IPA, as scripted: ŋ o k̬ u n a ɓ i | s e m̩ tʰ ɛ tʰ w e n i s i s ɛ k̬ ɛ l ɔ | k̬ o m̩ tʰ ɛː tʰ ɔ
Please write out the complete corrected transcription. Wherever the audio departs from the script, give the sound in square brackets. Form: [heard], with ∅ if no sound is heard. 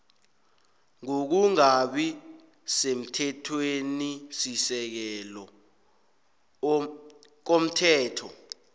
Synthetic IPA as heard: ŋ o k̬ u [ŋ] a ɓ i | s e m̩ tʰ ɛ tʰ w e n i s i s ɛ k̬ ɛ l ɔ | k̬ o m̩ tʰ ɛː tʰ ɔ